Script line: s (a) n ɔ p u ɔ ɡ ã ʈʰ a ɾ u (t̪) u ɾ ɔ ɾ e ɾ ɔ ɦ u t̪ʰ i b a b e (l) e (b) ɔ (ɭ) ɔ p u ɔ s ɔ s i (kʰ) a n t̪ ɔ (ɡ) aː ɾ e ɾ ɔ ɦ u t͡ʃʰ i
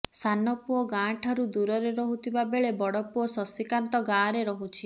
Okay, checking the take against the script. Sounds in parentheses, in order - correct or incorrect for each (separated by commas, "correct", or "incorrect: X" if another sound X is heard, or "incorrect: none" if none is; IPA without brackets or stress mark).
correct, incorrect: d̪, incorrect: ɭ, correct, incorrect: ɽ, incorrect: k, correct